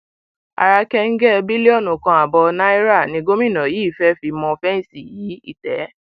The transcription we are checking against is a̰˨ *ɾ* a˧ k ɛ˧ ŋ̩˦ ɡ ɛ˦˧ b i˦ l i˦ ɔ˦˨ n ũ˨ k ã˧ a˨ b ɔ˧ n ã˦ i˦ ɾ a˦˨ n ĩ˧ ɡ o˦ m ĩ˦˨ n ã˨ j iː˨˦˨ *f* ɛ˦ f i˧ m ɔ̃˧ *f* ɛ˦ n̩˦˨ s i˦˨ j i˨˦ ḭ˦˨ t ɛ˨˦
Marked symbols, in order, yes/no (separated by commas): yes, yes, yes